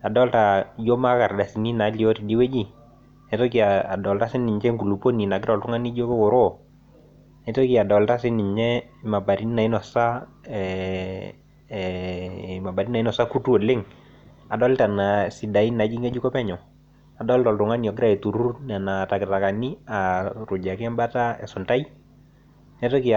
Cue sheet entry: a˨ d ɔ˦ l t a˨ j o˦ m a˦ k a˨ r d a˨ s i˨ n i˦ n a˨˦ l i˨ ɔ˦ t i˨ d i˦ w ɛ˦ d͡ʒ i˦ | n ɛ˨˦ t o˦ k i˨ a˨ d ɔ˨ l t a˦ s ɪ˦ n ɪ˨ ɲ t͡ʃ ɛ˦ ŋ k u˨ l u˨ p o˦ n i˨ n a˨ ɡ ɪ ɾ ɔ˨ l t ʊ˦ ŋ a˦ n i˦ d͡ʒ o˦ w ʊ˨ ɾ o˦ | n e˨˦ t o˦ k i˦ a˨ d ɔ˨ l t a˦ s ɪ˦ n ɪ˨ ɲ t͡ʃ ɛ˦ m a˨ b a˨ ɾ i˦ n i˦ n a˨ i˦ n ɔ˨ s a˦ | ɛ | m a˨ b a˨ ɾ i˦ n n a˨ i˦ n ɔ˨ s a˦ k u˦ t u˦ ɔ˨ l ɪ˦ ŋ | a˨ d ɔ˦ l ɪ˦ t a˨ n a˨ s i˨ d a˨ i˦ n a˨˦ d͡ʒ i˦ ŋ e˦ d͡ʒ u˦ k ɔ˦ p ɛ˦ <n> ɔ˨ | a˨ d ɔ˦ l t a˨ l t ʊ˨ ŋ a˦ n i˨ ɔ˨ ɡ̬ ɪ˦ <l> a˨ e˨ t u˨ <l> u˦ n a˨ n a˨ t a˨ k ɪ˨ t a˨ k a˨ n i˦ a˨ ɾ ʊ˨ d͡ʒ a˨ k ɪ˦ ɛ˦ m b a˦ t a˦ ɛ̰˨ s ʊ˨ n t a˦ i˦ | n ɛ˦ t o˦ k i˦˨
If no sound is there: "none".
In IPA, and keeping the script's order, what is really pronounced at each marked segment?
ɲ, ɾ, ɾ

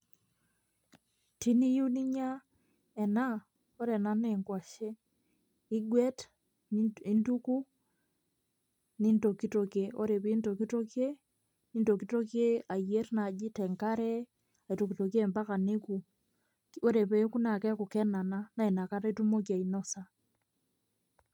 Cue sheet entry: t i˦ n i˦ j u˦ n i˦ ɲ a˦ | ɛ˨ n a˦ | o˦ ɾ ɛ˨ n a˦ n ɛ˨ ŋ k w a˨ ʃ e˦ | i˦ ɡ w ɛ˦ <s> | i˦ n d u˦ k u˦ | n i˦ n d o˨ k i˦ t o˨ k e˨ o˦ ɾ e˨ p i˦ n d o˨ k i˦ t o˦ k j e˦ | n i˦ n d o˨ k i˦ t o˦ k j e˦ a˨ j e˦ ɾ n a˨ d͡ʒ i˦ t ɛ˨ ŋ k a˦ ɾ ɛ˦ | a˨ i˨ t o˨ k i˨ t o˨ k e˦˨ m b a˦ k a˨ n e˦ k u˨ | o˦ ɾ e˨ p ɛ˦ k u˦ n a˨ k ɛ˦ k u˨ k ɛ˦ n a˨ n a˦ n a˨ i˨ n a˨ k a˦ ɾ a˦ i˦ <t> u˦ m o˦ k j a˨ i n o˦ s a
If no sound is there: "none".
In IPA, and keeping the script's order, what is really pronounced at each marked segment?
t, t

